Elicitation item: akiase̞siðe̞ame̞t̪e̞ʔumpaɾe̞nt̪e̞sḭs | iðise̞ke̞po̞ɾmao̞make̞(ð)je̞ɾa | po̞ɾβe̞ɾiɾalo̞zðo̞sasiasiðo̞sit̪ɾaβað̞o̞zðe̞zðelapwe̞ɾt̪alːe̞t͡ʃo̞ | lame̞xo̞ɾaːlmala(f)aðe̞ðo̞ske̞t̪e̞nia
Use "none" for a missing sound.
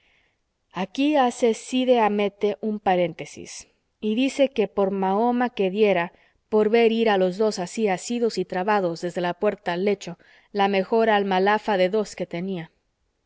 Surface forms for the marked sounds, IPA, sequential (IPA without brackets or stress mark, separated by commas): ð, f